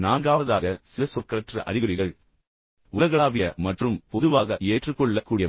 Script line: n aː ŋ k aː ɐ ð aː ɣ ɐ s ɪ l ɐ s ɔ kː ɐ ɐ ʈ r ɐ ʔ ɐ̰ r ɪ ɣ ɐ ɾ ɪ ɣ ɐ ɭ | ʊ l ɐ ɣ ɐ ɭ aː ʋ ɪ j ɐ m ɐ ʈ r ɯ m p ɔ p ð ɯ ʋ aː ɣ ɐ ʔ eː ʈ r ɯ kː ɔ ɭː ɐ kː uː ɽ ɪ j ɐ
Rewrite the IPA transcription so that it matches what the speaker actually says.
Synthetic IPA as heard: n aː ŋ ɡ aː ɐ ð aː ɣ ɐ s ɪ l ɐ s ɔ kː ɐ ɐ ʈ r ɐ ʔ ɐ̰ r ɪ ɣ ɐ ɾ ɪ ɣ ɐ ɭ | ʊ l ɐ ɣ ɐ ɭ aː ʋ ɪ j ɐ m ɐ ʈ r ɯ m p ɔ ð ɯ ʋ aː ɣ ɐ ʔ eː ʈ r ɯ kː ɔ ɭː ɐ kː uː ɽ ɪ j ɐ